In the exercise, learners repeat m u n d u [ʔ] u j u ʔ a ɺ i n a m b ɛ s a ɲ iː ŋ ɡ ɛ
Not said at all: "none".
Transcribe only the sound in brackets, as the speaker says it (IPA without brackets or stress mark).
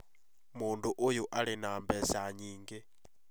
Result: ʔ